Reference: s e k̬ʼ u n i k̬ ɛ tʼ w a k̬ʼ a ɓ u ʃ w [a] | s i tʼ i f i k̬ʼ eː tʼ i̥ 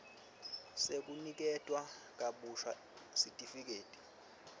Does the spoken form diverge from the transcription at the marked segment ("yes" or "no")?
no